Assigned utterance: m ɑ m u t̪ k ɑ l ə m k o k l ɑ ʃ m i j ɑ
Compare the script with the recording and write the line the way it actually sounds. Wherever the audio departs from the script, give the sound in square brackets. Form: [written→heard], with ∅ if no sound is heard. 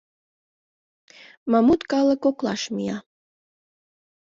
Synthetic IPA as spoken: m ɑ m u t̪ k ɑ l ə [m→∅] k o k l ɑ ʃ m i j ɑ